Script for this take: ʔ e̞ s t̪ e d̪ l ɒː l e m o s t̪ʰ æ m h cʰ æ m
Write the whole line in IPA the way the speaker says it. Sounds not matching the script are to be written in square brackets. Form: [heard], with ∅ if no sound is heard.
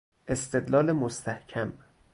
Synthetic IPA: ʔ e̞ s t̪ e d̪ l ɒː l e m o s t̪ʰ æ [∅] h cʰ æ m